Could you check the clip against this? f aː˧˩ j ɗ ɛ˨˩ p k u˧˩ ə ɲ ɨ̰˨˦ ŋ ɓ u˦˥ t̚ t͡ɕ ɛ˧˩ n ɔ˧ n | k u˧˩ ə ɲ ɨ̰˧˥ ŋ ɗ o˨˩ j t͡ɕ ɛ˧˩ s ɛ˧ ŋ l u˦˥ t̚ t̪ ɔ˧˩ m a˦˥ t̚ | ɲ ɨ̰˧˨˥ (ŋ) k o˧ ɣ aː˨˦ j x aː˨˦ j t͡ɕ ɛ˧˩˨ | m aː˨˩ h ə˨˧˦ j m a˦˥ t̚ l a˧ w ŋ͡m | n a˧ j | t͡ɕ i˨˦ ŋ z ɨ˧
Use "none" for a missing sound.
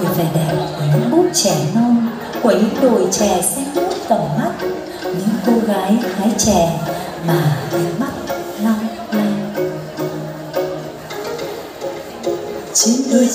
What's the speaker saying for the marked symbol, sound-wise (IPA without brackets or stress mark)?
ŋ